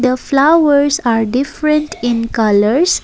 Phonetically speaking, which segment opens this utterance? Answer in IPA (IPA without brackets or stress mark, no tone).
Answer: d̪